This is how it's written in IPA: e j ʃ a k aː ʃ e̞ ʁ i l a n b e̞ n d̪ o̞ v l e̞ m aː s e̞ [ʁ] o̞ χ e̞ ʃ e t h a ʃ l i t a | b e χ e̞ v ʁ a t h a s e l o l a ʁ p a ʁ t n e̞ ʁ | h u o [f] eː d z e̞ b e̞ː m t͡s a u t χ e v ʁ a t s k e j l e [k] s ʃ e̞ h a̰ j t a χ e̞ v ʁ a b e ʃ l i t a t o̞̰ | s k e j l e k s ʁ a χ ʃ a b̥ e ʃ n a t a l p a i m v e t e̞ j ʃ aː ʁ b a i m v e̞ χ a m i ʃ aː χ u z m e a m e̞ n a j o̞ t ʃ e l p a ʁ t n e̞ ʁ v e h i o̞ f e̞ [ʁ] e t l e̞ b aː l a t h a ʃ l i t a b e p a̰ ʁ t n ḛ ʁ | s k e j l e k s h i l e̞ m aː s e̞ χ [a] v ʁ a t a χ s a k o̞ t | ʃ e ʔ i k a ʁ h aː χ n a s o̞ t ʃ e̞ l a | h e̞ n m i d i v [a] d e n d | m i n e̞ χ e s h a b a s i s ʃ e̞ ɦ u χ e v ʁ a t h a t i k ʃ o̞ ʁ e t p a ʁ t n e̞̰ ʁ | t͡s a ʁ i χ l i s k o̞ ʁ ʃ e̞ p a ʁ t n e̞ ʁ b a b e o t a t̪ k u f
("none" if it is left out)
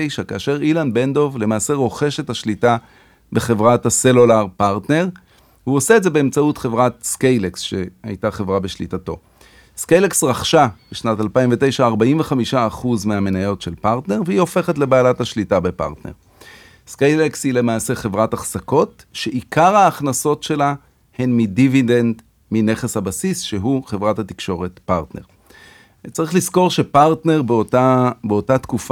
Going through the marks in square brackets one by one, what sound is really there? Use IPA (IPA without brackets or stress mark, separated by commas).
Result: ʁ, s, k, χ, e, i